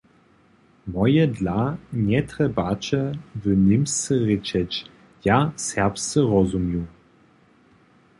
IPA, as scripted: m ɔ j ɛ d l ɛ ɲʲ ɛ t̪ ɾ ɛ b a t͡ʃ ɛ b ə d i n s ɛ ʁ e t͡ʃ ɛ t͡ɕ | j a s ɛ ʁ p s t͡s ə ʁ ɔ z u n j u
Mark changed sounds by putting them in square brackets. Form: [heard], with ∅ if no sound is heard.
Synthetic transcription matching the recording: m ɔ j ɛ d l [a] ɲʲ ɛ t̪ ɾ ɛ b a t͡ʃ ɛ [v] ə [n] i [m] s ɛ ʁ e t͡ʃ ɛ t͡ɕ | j a s ɛ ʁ p s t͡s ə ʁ ɔ z u [m] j u